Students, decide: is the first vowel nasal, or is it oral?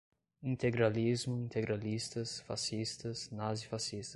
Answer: nasal